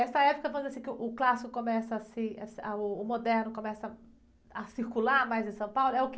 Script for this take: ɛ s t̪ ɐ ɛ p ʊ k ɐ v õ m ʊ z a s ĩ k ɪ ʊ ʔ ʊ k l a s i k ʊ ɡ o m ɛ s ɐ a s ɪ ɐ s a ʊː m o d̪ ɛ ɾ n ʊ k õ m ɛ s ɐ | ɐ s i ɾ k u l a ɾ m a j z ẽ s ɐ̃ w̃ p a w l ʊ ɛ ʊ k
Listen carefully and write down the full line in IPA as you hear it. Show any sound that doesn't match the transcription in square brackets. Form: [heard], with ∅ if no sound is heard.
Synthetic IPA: ɛ s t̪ ɐ ɛ p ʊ k ɐ v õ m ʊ z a s ĩ k ɪ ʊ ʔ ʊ k l a s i k ʊ [k] o m ɛ s ɐ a s ɪ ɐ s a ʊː m o d̪ ɛ ɾ n ʊ k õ m ɛ s ɐ | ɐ s i ɾ k u l a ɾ m a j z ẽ s ɐ̃ w̃ p a w l ʊ ɛ ʊ k